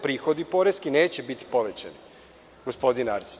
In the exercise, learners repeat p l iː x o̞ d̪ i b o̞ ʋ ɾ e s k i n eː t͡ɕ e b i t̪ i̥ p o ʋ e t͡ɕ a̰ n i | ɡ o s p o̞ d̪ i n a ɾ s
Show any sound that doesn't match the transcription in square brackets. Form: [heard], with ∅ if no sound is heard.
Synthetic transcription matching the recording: p [ɾ] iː x o̞ d̪ i [p] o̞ [∅] ɾ e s k i n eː t͡ɕ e b i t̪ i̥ p o ʋ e t͡ɕ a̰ n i | ɡ o s p o̞ d̪ i n a ɾ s